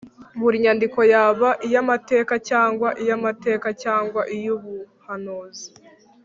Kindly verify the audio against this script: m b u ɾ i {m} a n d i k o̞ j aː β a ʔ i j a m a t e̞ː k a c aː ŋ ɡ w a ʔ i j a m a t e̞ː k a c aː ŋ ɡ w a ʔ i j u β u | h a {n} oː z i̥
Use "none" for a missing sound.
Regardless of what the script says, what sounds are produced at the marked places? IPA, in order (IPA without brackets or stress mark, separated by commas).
ɲ, n